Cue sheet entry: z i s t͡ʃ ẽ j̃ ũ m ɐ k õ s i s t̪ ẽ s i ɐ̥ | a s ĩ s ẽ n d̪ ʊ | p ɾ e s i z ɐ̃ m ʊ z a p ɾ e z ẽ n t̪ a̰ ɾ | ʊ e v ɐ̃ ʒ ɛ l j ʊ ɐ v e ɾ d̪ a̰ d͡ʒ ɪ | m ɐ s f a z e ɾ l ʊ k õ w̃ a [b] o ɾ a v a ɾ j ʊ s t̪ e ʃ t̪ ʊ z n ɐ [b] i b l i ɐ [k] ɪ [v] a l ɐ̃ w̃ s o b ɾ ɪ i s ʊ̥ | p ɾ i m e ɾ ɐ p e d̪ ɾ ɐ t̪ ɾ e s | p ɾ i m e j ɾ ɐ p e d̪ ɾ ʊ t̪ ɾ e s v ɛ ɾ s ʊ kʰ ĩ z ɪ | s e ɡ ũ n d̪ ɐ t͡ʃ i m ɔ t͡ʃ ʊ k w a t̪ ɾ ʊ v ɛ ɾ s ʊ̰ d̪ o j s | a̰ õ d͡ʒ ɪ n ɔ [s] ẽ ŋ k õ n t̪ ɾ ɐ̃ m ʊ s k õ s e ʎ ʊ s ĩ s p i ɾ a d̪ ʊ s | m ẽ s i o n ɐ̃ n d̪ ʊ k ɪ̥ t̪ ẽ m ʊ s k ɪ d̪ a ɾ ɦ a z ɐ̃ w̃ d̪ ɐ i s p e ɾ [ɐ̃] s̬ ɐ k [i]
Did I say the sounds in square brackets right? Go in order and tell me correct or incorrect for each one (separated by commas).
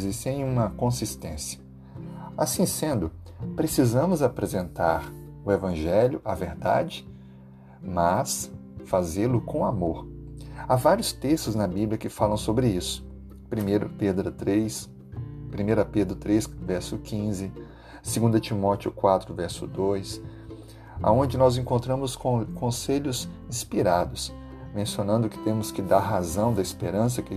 incorrect, correct, correct, incorrect, incorrect, correct, incorrect